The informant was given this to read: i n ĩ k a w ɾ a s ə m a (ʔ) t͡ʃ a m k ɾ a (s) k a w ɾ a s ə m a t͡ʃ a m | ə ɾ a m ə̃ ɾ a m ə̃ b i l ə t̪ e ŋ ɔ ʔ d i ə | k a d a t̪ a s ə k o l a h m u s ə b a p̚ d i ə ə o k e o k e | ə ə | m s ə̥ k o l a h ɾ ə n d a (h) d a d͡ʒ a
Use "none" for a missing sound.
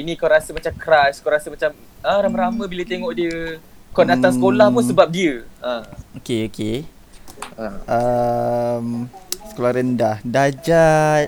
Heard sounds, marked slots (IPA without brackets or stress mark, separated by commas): none, s, h